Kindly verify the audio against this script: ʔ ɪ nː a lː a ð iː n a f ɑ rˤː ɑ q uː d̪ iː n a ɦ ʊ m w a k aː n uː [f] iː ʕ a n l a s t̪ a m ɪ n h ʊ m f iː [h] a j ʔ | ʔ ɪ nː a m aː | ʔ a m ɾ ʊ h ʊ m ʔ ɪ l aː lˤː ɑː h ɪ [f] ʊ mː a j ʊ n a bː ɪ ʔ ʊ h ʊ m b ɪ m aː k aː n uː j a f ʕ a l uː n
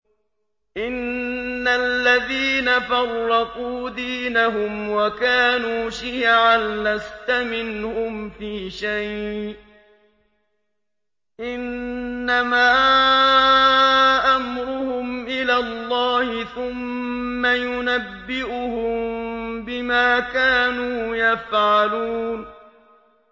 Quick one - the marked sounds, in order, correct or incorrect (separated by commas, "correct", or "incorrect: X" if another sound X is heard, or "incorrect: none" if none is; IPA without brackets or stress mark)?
incorrect: ʃ, incorrect: ʃ, incorrect: θ